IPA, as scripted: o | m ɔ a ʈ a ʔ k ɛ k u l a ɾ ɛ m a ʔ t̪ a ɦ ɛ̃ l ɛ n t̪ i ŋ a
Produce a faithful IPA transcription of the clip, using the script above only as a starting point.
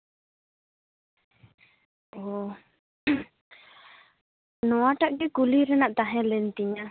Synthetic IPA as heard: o | n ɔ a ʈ a ʔ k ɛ k u l i ɾ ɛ n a ʔ t̪ a ɦ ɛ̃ l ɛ n t̪ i ɲ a